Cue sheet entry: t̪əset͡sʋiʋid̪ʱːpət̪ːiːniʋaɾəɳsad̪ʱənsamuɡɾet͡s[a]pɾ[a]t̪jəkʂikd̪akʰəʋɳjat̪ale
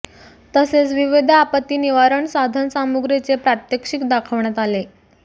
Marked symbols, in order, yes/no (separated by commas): no, yes